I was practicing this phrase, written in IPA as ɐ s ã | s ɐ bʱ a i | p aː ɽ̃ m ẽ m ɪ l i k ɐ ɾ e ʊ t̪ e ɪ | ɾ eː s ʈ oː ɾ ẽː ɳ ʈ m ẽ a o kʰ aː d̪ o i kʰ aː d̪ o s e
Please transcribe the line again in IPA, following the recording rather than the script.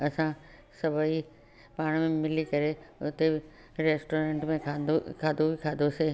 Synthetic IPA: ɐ s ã | s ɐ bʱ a i | p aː ɽ̃ m ẽ m ɪ l i k ɐ ɾ e ʊ t̪ e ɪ | ɾ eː s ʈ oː ɾ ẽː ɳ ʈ m ẽ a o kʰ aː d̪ o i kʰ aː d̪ o s e